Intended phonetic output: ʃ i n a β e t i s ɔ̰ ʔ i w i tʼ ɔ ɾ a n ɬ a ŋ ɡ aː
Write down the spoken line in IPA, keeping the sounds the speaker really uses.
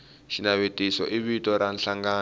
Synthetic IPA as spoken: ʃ i n a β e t i s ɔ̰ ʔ i β i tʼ ɔ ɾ a n ɬ a ŋ ɡ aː

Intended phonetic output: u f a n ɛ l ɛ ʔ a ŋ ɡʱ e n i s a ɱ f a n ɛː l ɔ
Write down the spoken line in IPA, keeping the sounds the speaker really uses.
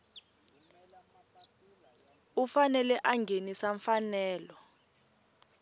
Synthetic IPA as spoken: u f a n ɛ l ɛ ʔ a ŋ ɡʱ e n i s a ɱ f a n ɛː l ɔ

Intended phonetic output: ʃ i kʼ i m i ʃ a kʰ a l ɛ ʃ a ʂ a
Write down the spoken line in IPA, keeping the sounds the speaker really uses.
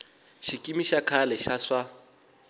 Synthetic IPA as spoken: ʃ i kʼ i m i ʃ a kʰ a l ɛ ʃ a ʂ a

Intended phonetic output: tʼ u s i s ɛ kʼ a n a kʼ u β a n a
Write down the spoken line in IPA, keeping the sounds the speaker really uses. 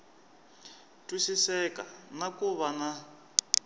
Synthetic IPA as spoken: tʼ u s i s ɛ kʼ a n a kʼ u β a n a

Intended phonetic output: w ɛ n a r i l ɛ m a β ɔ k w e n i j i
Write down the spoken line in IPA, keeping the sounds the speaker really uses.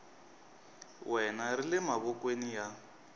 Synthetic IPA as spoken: w ɛ n a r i l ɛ m a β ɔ k w e n i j a

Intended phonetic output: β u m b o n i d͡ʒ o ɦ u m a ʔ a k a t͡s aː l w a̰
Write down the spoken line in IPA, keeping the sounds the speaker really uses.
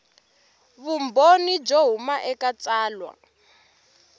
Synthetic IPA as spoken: β u m b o n i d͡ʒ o ɦ u m a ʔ ɛ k a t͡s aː l w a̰

